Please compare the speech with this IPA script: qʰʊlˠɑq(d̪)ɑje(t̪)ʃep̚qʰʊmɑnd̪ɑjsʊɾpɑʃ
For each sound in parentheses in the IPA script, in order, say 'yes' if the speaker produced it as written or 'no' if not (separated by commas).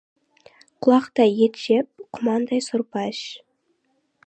no, yes